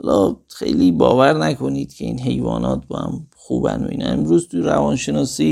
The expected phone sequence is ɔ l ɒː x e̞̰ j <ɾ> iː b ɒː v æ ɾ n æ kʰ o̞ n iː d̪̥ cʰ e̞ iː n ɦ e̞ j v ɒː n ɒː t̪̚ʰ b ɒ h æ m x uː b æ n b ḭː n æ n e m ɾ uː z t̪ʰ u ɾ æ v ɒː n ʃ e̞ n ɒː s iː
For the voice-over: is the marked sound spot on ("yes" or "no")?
no